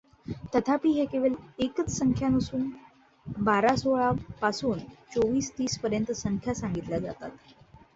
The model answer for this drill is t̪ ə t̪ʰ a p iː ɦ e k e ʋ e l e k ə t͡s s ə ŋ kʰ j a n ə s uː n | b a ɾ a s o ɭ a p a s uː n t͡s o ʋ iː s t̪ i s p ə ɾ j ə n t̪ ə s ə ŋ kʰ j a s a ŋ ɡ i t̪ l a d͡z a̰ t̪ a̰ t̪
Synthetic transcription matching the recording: t̪ ə t̪ʰ a p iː ɦ e k e ʋ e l e k ə t͡s s ə ŋ kʰ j a n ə s uː n | b a ɾ a s o ɭ a p a s uː n t͡s o ʋ iː s t̪ iː s p ə ɾ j ə n t̪ ə s ə ŋ kʰ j a s a ŋ ɡ i t̪ l a d͡z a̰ t̪ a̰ t̪